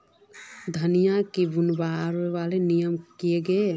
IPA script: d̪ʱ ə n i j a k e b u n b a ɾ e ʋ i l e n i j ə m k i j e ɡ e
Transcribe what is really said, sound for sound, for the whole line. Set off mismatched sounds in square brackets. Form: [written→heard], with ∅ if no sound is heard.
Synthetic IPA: d̪ʱ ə n i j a k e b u n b a ɾ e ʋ [i→a] l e n i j ə m k i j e ɡ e